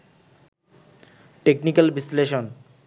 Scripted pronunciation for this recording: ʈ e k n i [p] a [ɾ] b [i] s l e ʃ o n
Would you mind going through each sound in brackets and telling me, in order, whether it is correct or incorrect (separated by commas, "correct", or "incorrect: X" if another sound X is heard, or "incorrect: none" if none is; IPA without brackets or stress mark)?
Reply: incorrect: k, incorrect: l, correct